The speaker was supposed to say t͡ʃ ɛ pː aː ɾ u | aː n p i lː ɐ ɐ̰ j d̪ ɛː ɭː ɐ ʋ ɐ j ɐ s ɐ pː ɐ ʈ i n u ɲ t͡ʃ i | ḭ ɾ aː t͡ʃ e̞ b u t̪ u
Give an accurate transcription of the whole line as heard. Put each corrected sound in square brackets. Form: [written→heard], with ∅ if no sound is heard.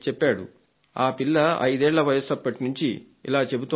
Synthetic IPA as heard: t͡ʃ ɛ pː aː [ɾ→ɽ] u | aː [n→∅] p i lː ɐ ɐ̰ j d̪ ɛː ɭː ɐ ʋ ɐ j ɐ s ɐ pː ɐ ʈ i n u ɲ t͡ʃ i | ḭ [ɾ→l] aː t͡ʃ e̞ b u t̪ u